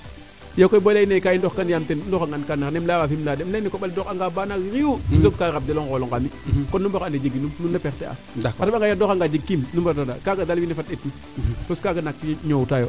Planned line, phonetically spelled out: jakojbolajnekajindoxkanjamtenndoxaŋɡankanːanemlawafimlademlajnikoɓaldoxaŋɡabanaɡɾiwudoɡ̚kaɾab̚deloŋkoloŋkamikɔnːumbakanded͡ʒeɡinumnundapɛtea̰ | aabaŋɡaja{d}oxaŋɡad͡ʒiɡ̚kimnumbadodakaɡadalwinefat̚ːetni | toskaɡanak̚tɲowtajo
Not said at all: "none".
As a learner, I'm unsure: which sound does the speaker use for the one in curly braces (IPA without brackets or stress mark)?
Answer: d